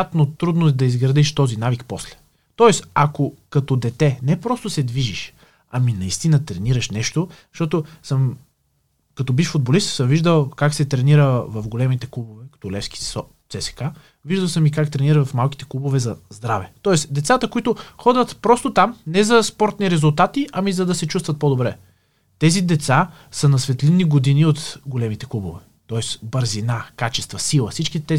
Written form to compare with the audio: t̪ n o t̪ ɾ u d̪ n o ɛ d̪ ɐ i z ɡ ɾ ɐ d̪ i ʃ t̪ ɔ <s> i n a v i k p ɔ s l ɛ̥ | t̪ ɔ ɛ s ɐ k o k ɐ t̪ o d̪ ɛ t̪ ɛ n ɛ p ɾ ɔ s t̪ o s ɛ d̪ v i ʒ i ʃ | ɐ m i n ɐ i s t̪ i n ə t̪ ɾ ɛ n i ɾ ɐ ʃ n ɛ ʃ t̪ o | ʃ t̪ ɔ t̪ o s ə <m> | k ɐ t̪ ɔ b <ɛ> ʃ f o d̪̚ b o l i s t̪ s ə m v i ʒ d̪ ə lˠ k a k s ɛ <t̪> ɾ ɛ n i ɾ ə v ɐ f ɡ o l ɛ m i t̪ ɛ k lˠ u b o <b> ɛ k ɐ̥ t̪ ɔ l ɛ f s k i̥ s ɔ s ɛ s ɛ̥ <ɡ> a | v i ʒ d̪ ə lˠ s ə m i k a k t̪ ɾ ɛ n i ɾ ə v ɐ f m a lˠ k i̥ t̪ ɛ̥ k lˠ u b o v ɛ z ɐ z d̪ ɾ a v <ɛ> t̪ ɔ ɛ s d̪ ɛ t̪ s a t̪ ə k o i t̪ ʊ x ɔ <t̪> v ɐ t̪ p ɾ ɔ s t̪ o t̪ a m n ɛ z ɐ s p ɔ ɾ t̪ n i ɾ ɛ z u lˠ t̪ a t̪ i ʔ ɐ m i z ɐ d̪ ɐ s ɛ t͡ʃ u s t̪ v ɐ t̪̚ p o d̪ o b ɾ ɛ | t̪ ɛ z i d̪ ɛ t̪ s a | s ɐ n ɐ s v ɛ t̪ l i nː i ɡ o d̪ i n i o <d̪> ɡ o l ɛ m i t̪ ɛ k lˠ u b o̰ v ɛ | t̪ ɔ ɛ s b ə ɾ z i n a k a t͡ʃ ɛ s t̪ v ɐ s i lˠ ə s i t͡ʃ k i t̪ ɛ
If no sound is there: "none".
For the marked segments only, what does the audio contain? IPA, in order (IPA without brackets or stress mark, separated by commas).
z, m, i, t̪, v, k, ɛ, d̪, t̪